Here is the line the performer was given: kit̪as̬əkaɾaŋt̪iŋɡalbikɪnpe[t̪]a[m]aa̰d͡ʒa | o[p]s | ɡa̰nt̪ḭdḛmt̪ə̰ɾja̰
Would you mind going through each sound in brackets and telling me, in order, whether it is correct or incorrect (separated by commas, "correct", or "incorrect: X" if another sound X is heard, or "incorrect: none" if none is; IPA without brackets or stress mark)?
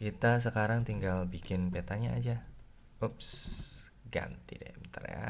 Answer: correct, incorrect: ɲ, correct